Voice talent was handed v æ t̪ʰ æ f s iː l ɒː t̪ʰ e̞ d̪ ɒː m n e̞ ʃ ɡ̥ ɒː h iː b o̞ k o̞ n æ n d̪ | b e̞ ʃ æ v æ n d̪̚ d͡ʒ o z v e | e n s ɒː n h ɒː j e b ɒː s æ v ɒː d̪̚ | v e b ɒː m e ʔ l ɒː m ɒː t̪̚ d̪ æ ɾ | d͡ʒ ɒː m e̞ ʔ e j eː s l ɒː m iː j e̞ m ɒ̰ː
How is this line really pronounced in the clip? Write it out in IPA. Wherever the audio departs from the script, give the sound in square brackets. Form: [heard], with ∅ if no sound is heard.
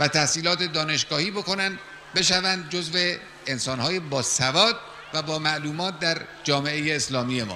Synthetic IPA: v æ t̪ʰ æ [h] s iː l ɒː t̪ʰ e̞ d̪ ɒː [∅] n e̞ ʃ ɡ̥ ɒː h iː b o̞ k o̞ n æ n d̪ | b e̞ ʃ æ v æ n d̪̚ d͡ʒ o z v e | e n s ɒː n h ɒː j e b ɒː s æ v ɒː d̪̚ | v [æ] b ɒː m [æ] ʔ l [uː] m ɒː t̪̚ d̪ æ ɾ | d͡ʒ ɒː m e̞ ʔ e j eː s l ɒː m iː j e̞ m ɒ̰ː